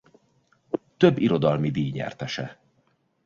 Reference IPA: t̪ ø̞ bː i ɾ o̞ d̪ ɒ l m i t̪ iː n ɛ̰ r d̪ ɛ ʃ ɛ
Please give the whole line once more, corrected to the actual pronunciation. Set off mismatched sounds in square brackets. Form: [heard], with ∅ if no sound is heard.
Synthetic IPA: t̪ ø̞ bː i ɾ o̞ d̪ ɒ l m i [d̪] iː [ɲ] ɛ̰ r [t̪] ɛ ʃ ɛ